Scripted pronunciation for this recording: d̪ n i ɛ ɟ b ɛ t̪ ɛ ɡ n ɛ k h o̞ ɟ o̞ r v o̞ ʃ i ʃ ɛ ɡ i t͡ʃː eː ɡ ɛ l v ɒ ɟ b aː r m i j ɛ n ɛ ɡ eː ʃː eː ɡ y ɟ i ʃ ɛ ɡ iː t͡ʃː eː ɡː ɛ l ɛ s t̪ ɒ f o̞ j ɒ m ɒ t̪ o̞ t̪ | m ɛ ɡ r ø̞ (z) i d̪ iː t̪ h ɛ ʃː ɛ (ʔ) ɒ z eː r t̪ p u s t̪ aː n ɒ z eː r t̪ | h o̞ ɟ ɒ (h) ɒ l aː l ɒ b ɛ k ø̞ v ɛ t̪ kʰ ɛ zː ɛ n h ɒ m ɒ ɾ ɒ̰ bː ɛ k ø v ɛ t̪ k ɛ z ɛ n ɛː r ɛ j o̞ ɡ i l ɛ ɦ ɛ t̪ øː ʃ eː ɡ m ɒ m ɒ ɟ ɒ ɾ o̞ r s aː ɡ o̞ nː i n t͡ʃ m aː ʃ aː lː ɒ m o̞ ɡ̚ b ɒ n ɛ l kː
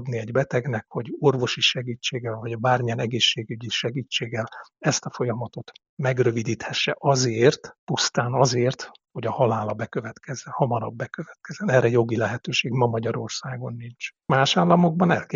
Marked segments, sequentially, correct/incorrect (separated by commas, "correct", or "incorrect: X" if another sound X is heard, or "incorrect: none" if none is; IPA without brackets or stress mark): incorrect: v, correct, correct